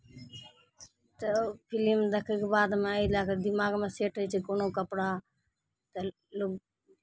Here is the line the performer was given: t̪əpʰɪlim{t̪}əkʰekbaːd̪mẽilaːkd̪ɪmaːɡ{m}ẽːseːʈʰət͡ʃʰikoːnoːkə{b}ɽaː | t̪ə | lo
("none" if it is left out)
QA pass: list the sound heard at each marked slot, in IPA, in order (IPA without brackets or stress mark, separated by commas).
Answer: d̪, m, p